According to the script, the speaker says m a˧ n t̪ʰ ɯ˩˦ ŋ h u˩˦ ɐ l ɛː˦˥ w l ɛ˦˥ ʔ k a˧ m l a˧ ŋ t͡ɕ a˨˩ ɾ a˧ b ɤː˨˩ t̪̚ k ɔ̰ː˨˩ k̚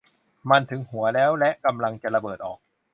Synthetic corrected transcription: m a˧ n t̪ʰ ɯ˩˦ ŋ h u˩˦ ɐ l ɛː˦˥ w l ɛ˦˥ ʔ k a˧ m l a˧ ŋ t͡ɕ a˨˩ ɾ a˧ b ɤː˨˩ t̪̚ ʔ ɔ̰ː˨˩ k̚